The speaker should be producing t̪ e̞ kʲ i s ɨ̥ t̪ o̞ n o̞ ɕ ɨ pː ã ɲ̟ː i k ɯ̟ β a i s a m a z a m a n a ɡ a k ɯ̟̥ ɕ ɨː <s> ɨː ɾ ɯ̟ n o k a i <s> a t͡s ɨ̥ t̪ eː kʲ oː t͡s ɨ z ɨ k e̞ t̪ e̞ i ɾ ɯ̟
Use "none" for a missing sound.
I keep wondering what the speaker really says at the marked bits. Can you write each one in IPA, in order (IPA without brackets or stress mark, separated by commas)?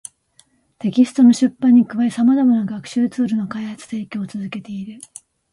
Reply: t͡s, h